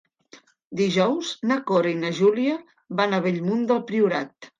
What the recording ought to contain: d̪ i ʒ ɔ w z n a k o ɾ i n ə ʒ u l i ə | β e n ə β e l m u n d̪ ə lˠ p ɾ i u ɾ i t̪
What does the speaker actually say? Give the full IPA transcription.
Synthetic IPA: d̪ i ʒ ɔ w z n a k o ɾ i n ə ʒ u l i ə | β a n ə β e ʎ m u n d̪ ə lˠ p ɾ i u ɾ a t̪